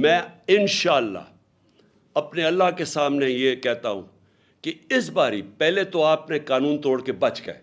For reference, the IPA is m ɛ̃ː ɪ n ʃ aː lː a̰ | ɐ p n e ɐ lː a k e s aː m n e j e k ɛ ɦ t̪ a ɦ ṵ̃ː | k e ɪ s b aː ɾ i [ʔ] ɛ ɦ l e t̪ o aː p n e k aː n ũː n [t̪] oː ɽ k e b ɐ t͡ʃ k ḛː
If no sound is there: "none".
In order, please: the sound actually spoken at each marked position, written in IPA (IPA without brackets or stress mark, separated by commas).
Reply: p, t̪